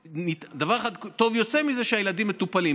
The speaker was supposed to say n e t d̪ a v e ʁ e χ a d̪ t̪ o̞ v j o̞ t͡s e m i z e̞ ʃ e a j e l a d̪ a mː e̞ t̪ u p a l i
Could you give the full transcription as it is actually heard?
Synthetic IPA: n i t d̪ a v a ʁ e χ a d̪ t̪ o̞ v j o̞ t͡s e m i z e̞ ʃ e a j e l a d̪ i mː e̞ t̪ u p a l i